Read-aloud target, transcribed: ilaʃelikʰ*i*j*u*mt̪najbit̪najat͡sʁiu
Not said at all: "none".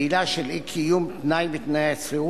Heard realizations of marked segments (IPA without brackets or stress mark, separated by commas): i, u